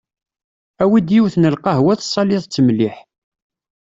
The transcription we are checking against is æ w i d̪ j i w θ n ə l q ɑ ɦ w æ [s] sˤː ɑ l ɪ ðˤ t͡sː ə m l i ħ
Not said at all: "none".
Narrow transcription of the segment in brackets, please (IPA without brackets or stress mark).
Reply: θ